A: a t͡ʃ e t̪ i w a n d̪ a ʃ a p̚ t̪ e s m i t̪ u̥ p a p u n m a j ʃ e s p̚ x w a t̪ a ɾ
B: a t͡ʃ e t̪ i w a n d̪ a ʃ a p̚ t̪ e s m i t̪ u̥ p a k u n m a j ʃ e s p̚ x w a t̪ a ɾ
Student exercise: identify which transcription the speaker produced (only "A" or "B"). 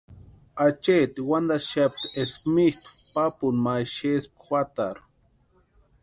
A